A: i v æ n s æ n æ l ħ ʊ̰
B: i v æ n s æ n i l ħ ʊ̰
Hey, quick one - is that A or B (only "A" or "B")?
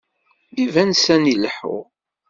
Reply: B